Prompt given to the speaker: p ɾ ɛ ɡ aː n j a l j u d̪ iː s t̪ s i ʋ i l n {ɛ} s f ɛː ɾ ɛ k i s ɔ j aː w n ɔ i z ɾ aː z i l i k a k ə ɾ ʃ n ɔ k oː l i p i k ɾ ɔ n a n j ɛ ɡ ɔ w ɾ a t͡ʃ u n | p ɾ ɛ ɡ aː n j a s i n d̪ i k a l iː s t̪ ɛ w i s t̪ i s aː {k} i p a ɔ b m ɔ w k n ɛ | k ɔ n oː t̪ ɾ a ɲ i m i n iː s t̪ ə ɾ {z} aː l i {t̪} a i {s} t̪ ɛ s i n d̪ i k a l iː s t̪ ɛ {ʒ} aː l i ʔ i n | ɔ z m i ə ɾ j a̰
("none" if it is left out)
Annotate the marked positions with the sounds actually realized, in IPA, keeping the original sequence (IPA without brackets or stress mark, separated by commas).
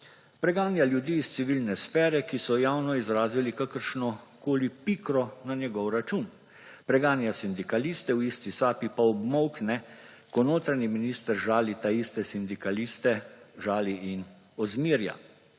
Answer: ɛ, p, ʒ, t̪, s, ʒ